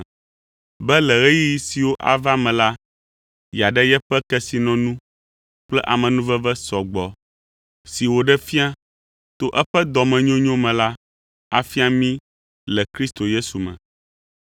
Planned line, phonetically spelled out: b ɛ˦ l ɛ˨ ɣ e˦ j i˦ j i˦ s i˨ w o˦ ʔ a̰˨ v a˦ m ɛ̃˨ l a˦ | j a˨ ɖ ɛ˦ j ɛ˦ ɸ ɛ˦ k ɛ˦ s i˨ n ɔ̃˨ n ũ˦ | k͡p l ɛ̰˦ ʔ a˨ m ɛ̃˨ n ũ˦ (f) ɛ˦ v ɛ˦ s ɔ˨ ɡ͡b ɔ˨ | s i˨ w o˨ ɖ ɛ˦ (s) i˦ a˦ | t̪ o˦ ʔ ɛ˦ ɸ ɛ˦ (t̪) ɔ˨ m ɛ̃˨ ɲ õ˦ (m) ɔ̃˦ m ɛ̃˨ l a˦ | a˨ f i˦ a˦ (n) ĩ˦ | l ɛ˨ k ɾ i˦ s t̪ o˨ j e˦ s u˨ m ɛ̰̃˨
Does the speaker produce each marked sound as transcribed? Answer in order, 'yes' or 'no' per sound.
no, no, no, no, no

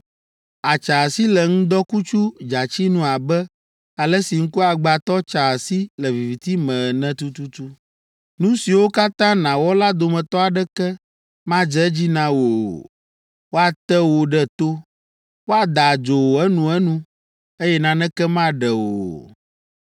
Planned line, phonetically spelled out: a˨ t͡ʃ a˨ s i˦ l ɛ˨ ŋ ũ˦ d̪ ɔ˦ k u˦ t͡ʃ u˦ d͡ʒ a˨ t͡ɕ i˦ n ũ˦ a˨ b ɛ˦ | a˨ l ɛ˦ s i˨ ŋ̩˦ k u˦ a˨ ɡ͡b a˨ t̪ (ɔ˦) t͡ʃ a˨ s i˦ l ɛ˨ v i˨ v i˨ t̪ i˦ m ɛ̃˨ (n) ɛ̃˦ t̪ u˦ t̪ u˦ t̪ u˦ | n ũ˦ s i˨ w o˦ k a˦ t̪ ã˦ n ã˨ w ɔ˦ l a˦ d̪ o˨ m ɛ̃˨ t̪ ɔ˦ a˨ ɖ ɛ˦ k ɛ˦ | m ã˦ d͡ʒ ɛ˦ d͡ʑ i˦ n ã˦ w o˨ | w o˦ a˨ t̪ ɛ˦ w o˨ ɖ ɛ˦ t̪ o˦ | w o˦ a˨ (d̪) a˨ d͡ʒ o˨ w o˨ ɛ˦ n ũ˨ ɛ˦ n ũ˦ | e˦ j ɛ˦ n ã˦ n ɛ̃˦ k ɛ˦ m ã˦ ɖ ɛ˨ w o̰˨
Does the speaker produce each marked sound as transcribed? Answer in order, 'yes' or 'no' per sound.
yes, yes, yes

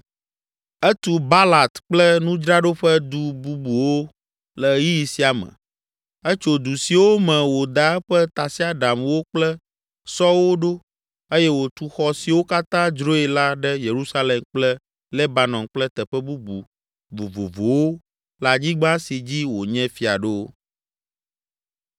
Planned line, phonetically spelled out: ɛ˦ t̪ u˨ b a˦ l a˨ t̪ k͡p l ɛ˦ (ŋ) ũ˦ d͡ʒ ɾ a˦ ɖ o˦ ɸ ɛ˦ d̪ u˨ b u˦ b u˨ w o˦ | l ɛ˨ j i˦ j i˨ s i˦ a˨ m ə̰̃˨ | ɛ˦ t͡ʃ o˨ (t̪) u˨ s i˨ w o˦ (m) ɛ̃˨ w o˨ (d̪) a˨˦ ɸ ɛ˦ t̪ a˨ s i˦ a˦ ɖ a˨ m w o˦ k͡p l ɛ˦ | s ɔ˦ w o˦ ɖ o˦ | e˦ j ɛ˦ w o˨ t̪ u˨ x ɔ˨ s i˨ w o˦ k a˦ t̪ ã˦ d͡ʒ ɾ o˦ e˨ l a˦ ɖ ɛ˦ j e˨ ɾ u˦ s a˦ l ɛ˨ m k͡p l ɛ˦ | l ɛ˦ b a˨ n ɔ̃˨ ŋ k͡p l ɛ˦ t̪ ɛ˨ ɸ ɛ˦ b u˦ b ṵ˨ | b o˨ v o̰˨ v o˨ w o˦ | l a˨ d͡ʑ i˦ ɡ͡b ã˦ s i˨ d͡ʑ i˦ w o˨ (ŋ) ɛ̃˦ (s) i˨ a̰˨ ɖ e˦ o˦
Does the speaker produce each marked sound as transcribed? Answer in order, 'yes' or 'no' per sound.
no, no, yes, yes, no, no

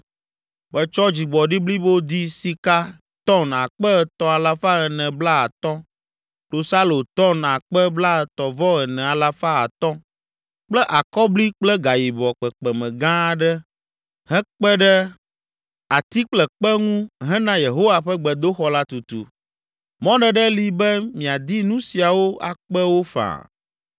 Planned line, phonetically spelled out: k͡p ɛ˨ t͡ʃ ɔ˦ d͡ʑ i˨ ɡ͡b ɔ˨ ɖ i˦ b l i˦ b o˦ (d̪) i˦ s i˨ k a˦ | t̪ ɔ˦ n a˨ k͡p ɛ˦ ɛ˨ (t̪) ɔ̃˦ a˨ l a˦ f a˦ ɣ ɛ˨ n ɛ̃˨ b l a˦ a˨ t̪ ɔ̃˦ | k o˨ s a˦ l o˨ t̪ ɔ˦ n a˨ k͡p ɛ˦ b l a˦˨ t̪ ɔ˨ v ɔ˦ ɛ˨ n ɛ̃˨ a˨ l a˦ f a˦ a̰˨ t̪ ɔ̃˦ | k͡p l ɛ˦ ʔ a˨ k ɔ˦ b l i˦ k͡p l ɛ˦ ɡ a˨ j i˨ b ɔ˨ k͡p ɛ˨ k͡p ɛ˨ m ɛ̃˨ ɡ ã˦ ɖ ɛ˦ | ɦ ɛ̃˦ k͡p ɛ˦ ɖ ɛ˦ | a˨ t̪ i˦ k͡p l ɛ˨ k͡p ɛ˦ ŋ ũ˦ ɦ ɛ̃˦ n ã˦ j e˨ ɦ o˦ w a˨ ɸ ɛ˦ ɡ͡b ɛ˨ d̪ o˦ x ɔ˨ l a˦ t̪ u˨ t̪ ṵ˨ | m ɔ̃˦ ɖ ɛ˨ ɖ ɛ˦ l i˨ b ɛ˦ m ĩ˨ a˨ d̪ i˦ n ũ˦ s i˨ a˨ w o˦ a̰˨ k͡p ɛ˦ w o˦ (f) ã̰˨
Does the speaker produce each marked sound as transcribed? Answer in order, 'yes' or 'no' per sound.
yes, yes, yes

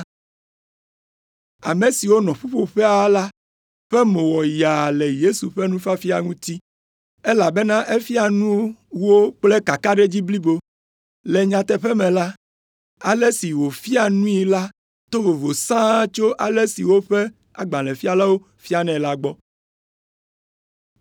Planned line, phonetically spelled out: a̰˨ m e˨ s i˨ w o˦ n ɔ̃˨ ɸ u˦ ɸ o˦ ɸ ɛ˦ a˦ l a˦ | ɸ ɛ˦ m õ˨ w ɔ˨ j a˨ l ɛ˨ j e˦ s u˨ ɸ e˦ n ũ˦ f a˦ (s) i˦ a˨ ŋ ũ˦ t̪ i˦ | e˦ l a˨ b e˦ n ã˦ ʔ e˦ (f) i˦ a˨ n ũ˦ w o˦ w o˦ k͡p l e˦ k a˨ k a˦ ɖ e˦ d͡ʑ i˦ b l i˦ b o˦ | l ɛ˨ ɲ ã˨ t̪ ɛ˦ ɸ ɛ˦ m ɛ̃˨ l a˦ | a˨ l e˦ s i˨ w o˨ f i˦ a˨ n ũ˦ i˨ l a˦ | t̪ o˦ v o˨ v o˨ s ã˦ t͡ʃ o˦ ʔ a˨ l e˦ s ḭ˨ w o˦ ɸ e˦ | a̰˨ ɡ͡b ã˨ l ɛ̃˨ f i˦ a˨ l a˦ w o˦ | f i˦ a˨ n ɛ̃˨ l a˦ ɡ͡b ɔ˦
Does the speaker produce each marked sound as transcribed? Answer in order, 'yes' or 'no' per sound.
no, yes

